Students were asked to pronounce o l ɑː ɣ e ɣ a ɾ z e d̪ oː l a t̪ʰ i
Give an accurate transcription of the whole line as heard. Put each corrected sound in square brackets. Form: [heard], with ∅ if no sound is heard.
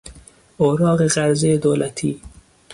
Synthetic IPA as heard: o [ɾ] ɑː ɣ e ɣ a ɾ z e d̪ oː l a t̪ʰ i